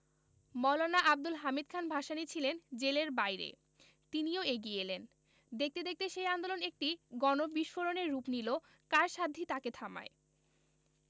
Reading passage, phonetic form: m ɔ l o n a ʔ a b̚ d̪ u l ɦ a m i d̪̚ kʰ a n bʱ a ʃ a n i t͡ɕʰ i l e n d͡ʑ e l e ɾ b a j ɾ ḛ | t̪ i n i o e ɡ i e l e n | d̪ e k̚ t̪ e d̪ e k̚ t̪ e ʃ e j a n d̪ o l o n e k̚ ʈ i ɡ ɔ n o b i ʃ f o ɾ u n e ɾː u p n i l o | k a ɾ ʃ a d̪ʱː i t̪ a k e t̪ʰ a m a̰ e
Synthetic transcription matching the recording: m ɔ l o n a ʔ a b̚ d̪ u l ɦ a m i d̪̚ kʰ a n bʱ a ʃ a n i t͡ɕʰ i l e n d͡ʑ e l e ɾ b a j ɾ ḛ | t̪ i n i o e ɡ i e l e n | d̪ e k̚ t̪ e d̪ e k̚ t̪ e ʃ e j a n d̪ o l o n e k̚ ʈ i ɡ ɔ n o b i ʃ f o ɾ o n e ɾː u p n i l o | k a ɾ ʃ a d̪ʱː i t̪ a k e t̪ʰ a m a̰ e